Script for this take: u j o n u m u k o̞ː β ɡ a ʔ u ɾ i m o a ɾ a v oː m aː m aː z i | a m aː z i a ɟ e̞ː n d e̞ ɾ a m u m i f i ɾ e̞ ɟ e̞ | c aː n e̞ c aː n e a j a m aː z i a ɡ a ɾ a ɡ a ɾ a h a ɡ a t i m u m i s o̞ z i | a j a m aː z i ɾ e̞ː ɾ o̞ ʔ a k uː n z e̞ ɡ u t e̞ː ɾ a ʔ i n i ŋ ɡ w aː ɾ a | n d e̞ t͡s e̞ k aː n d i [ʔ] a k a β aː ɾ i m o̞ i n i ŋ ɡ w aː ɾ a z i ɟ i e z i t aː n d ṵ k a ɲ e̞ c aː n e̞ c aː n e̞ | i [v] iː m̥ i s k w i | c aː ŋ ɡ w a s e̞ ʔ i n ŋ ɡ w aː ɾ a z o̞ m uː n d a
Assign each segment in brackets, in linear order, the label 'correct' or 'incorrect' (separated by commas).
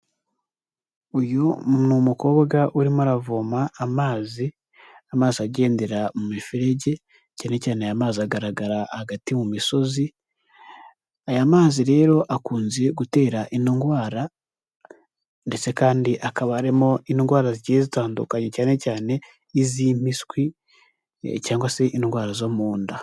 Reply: correct, incorrect